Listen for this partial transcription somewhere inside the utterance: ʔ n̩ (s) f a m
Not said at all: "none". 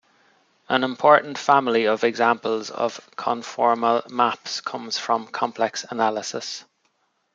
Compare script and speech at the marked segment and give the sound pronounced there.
t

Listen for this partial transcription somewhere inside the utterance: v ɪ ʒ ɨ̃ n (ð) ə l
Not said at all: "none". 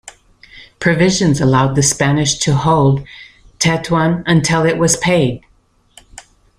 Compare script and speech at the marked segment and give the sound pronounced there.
z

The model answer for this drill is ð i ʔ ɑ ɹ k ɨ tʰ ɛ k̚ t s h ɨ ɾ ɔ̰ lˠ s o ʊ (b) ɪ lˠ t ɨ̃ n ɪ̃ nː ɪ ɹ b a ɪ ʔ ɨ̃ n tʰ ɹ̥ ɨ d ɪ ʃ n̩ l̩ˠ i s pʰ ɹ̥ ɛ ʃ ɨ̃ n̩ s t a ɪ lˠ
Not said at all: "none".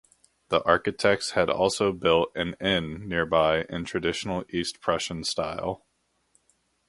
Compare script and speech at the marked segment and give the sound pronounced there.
b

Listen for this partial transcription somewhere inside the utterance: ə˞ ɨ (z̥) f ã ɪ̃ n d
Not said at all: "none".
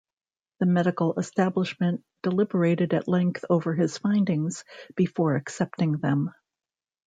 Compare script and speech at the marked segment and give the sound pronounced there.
z̥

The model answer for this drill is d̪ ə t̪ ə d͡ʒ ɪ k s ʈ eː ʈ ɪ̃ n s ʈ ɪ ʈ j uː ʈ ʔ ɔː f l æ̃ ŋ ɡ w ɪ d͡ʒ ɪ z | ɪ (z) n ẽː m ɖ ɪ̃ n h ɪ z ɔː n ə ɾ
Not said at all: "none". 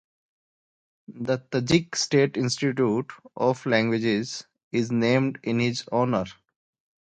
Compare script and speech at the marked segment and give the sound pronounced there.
z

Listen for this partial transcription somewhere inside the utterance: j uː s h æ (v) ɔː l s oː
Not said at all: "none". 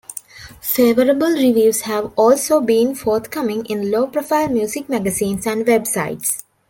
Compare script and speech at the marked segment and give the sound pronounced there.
ʋ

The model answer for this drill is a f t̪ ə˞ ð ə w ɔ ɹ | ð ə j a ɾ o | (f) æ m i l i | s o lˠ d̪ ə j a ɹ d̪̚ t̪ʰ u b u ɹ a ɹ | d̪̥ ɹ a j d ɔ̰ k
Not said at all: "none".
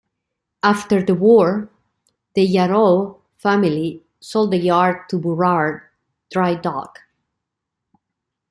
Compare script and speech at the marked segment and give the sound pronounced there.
f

